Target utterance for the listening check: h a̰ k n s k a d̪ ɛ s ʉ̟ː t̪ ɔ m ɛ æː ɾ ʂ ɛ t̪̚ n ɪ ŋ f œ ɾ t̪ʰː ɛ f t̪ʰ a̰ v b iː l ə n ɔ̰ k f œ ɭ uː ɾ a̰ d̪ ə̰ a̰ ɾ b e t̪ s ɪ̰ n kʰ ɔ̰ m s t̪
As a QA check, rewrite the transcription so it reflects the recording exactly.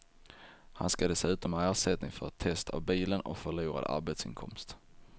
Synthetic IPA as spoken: h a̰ n s k a d̪ ɛ s ʉ̟ː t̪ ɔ m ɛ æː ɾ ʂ ɛ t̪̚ n ɪ ŋ f œ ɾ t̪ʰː ɛ s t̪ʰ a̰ v b iː l ə n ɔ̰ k f œ ɭ uː ɾ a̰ d̪ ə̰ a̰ ɾ b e t̪ s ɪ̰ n kʰ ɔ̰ m s t̪

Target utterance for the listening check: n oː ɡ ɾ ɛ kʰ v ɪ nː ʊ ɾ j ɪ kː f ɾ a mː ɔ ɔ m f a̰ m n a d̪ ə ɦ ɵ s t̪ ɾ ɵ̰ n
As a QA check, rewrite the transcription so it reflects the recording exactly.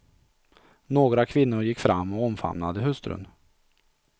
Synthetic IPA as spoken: n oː ɡ ɾ a kʰ v ɪ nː ʊ ɾ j ɪ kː f ɾ a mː ɔ ɔ m f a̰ m n a d̪ ə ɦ ɵ s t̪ ɾ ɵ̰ n

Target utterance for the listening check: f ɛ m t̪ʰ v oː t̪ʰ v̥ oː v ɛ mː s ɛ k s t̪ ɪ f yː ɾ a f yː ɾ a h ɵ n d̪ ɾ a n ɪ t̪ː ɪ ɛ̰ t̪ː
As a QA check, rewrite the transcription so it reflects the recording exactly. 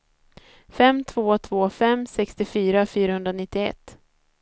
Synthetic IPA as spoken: f ɛ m t̪ʰ v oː t̪ʰ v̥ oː f ɛ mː s ɛ k s t̪ ɪ f yː ɾ a f yː ɾ a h ɵ n d̪ ɾ a n ɪ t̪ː ɪ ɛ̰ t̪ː

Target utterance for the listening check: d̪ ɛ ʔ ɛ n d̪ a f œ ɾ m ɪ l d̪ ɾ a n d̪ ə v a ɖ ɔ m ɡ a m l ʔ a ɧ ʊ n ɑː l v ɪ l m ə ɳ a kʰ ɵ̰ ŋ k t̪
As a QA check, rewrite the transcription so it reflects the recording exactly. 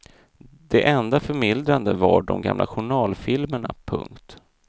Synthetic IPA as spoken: d̪ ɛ ʔ ɛ n d̪ a f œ ɾ m ɪ l d̪ ɾ a n d̪ ə v a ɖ ɔ m ɡ a m l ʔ a ɧ ʊ ɳ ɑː l f ɪ l m ə ɳ a pʰ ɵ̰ ŋ k t̪

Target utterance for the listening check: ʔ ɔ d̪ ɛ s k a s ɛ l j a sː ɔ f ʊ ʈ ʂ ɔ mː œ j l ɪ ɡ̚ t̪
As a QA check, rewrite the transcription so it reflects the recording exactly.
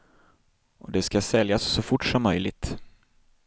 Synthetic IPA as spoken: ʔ ɔ d̪ ɛ s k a s ɛ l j a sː ɔ f ʊ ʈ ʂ ɔ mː œ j l ɪ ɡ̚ t̪

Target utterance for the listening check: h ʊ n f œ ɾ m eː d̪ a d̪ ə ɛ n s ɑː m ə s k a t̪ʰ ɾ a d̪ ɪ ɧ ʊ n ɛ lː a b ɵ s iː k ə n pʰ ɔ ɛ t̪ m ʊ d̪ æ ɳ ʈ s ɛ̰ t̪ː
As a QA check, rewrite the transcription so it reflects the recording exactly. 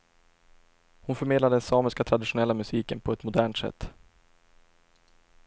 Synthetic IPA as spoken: h ʊ n f œ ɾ m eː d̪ a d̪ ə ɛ n s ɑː m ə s k a t̪ʰ ɾ a d̪ ɪ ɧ ʊ n ɛ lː a m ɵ s iː k ə n pʰ ɔ ɛ t̪ m ʊ d̪ æː ɳ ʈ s ɛ̰ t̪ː

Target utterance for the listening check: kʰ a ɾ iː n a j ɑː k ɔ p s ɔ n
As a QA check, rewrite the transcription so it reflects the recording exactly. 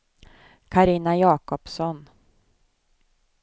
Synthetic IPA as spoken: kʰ a ɾ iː n a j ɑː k ɔ p s ɔ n

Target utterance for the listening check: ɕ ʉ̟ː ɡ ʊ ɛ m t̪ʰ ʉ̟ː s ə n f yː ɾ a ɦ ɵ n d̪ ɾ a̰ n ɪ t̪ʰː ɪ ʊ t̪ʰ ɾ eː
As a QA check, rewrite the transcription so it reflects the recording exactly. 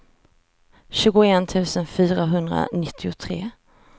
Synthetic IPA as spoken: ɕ ʉ̟ː ɡ ʊ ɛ n t̪ʰ ʉ̟ː s ə n f yː ɾ a ɦ ɵ n d̪ ɾ a̰ n ɪ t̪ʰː ɪ ʊ t̪ʰ ɾ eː

